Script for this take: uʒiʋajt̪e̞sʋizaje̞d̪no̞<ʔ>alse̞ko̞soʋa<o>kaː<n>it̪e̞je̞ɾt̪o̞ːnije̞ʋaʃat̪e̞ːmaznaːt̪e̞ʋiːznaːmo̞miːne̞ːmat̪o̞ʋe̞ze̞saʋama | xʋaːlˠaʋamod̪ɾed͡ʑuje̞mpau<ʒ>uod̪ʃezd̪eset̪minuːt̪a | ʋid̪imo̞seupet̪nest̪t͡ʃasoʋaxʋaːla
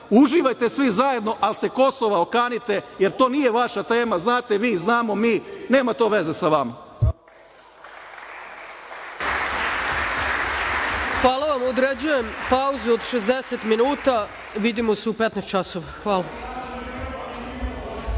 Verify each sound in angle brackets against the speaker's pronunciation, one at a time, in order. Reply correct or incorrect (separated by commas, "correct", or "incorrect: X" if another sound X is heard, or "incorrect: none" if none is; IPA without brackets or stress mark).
correct, correct, correct, incorrect: z